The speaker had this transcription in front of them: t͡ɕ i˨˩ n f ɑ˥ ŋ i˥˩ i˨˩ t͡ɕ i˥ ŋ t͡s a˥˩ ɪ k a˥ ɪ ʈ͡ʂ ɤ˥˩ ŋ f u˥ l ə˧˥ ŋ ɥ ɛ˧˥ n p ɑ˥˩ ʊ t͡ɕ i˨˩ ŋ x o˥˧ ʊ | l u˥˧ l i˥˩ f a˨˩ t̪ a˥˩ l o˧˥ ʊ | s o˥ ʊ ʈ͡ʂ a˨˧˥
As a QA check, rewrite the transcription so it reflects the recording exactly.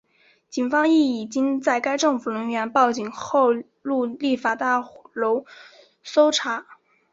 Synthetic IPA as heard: t͡ɕ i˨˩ n f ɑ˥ ŋ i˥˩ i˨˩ t͡ɕ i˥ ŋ t͡s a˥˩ ɪ k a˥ ɪ ʈ͡ʂ ɤ˥˩ ŋ f u˨˩ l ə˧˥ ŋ ɥ ɛ˧˥ n p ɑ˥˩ ʊ t͡ɕ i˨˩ ŋ x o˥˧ ʊ | l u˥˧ l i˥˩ f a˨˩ t̪ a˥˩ l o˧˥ ʊ | s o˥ ʊ ʈ͡ʂʰ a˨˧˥

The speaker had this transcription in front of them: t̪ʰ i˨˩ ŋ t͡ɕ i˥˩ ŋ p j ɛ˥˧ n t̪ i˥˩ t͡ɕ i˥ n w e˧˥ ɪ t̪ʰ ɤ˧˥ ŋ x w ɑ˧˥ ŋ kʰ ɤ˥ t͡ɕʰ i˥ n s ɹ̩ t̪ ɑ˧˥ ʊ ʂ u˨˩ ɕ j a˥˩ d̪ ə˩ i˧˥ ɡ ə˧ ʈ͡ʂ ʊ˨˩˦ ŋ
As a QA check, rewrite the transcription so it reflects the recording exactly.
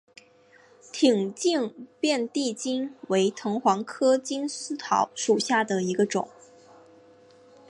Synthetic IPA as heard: t̪ʰ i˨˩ ŋ t͡ɕ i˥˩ ŋ p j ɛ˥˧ n t̪ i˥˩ t͡ɕ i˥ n w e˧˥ ɪ t̪ʰ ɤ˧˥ ŋ x w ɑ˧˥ ŋ kʰ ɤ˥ t͡ɕ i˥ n s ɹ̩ t̪ʰ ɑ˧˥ ʊ ʂ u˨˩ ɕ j a˥˩ d̪ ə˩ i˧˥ ɡ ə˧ ʈ͡ʂ ʊ˨˩˦ ŋ

